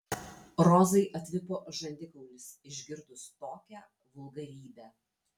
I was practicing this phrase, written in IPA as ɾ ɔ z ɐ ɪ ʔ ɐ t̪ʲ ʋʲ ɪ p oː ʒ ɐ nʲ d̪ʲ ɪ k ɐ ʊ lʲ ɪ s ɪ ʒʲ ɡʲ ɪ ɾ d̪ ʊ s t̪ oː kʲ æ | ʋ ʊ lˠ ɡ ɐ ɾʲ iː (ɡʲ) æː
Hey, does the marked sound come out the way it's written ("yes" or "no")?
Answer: no